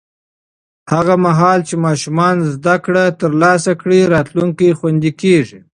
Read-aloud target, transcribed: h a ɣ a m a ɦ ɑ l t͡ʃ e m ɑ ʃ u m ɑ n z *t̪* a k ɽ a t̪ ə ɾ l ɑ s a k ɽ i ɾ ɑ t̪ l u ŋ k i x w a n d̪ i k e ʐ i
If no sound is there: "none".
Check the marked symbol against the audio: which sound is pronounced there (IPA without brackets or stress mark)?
d̪